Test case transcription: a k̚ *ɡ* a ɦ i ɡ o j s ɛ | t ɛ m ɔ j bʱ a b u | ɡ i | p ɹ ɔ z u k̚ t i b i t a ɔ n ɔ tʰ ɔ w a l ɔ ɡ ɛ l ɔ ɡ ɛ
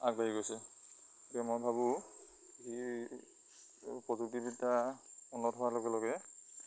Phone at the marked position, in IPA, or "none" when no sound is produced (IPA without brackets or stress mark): b